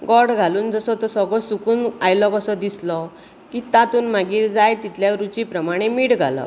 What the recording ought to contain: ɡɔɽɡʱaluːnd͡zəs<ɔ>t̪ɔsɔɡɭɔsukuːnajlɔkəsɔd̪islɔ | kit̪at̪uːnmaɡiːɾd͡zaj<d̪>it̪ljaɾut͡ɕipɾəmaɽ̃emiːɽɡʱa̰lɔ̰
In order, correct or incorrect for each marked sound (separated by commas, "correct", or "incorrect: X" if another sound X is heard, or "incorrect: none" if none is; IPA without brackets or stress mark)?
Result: correct, incorrect: t̪